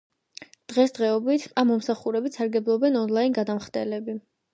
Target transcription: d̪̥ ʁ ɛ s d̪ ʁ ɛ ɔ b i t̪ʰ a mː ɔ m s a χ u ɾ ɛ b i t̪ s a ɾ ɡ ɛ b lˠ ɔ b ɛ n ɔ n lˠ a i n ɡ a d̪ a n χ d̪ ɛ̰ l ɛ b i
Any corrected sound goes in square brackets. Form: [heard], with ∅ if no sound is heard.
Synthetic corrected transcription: d̪̥ ʁ ɛ s d̪ ʁ ɛ ɔ b i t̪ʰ a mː ɔ m s a χ u ɾ ɛ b i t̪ s a ɾ ɡ ɛ b lˠ ɔ b ɛ n ɔ n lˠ a i n ɡ a d̪ a [m] χ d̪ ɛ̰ l ɛ b i